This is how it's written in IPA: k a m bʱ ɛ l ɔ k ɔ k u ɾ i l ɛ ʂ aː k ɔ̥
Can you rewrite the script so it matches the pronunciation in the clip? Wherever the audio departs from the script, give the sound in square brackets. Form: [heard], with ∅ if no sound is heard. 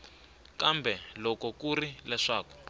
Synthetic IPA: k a m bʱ ɛ l ɔ k ɔ k u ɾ i l ɛ ʂ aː k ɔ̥